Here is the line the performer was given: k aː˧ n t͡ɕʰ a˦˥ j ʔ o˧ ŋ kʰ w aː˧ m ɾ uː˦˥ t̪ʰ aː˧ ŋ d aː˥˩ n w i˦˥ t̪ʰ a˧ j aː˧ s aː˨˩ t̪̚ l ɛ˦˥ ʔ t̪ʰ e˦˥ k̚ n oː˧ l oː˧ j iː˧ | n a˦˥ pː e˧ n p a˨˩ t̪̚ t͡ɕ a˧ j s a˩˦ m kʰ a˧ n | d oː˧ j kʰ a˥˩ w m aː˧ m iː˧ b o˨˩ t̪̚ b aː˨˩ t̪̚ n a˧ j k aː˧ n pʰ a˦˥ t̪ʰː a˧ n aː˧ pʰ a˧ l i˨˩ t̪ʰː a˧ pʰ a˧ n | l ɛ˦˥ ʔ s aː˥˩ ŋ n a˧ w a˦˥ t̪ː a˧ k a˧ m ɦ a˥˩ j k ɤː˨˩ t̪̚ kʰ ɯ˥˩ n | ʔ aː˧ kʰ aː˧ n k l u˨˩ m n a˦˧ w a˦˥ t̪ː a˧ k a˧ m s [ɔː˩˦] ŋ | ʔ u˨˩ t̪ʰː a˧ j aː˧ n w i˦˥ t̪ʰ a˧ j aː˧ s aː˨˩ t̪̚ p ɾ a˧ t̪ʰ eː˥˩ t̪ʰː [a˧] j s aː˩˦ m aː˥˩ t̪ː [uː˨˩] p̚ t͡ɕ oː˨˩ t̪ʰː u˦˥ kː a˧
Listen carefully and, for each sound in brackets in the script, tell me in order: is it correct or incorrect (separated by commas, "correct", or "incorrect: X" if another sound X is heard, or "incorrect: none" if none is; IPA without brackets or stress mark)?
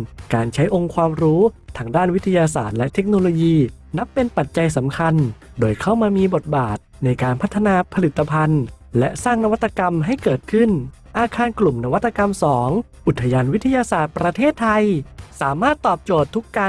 correct, correct, incorrect: ɔː˨˩